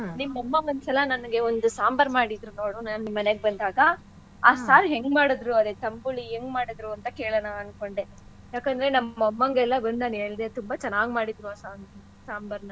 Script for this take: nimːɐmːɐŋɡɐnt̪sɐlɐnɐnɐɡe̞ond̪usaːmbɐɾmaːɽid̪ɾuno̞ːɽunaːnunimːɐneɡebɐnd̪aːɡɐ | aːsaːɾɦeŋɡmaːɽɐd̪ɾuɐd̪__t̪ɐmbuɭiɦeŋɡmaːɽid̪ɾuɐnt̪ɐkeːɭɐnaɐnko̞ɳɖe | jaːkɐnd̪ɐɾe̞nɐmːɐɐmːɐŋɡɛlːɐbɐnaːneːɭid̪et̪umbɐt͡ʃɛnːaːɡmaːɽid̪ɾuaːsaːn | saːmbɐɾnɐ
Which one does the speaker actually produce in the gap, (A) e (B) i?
A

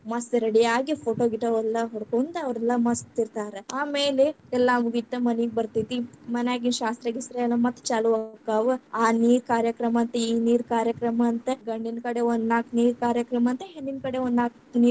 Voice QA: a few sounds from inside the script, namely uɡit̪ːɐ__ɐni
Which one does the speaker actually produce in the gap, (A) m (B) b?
A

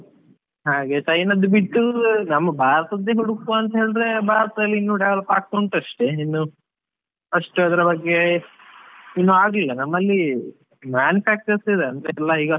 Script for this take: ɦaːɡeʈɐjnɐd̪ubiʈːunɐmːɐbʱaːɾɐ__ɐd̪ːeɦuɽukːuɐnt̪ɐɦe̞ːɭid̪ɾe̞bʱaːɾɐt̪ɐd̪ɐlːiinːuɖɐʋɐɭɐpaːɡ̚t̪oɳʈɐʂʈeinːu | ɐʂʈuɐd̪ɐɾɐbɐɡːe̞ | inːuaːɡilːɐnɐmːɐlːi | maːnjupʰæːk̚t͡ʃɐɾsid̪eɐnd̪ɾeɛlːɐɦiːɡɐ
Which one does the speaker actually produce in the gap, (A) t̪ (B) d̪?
A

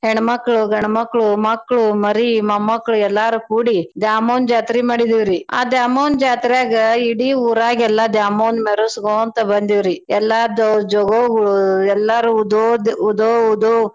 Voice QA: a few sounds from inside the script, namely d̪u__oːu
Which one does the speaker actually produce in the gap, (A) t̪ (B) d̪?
B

